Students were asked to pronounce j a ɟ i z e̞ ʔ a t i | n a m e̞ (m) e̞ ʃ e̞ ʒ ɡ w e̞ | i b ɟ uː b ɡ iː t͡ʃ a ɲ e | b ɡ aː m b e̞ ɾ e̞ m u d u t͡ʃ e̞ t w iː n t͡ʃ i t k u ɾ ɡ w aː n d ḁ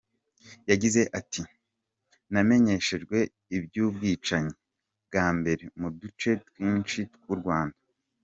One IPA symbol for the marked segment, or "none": ɲ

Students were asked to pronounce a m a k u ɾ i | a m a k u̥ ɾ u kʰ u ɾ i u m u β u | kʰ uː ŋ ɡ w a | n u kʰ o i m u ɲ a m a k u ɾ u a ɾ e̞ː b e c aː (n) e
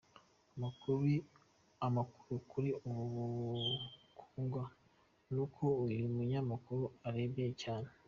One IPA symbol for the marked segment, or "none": n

